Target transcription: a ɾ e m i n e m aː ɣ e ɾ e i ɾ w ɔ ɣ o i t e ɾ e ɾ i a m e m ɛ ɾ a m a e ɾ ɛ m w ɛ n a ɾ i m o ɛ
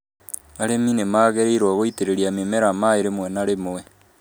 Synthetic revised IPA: a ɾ e m i n e m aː ɣ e ɾ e i ɾ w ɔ ɣ o i t e ɾ e ɾ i a m e m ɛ ɾ a m a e ɾ e m w ɛ n a ɾ e m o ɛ